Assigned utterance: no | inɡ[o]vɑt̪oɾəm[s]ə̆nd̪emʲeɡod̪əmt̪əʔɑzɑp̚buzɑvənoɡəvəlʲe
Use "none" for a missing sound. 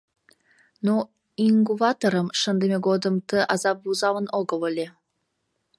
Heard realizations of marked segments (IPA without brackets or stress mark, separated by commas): u, ʃ